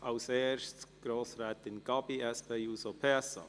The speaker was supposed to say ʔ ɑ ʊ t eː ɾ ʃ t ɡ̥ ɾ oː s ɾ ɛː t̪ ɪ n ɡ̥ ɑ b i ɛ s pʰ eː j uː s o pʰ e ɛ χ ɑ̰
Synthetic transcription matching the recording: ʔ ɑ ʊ s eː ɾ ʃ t ɡ̥ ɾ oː s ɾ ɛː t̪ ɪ n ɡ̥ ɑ b i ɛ s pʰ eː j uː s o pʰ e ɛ s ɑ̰